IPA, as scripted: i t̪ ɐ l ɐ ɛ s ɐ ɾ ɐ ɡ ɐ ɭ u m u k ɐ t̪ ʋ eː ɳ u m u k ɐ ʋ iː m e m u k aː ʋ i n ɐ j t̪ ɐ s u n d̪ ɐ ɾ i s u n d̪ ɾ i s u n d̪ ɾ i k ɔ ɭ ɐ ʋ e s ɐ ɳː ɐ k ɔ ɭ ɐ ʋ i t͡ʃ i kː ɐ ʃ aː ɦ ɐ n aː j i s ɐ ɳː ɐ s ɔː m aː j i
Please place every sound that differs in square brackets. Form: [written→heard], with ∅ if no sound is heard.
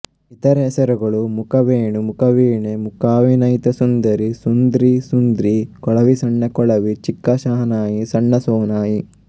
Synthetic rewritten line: i t̪ ɐ [l→ɾ] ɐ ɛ s ɐ ɾ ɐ ɡ ɐ ɭ u m u k ɐ [t̪→∅] ʋ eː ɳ u m u k ɐ ʋ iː [m→ɳ] e m u k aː ʋ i n ɐ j t̪ ɐ s u n d̪ ɐ ɾ i s u n d̪ ɾ i s u n d̪ ɾ i k ɔ ɭ ɐ ʋ [e→i] s ɐ ɳː ɐ k ɔ ɭ ɐ ʋ i t͡ʃ i kː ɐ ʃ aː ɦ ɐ n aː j i s ɐ ɳː ɐ s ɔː [m→n] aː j i